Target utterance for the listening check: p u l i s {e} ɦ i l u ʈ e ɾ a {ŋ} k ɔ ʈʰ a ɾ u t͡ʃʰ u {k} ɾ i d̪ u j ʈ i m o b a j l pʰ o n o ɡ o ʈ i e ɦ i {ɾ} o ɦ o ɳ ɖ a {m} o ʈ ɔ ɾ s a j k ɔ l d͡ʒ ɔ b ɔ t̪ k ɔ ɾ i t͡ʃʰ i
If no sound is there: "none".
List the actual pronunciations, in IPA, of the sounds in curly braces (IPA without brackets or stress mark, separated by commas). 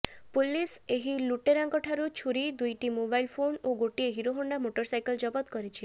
e, ŋ, none, ɾ, m